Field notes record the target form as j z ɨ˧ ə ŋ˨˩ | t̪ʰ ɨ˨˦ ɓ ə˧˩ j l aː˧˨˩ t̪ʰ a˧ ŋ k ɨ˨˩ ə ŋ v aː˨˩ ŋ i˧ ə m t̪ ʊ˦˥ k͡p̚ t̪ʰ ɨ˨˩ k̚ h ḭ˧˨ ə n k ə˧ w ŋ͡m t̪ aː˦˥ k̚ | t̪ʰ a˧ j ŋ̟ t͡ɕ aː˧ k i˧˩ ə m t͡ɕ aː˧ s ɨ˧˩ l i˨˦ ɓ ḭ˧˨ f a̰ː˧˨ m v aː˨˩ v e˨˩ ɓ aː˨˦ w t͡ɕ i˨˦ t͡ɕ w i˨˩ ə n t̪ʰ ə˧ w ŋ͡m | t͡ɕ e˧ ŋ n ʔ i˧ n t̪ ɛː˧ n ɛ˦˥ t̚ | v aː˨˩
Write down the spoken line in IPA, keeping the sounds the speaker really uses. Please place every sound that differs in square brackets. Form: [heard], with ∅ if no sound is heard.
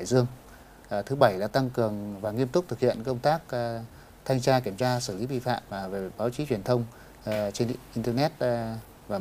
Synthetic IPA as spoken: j z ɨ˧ ə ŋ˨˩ | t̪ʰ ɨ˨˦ ɓ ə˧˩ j l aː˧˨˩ [t̪] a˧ ŋ k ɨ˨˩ ə ŋ v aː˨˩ ŋ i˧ ə m t̪ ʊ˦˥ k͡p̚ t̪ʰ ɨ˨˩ k̚ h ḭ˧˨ ə n k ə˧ w ŋ͡m t̪ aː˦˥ k̚ | t̪ʰ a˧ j ŋ̟ t͡ɕ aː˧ k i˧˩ ə m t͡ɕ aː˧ s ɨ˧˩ l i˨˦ ɓ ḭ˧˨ f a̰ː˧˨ m v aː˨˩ v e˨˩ ɓ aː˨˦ w t͡ɕ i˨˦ t͡ɕ w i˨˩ ə n t̪ʰ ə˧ w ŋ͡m | t͡ɕ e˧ [∅] n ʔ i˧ n t̪ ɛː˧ n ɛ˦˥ t̚ | v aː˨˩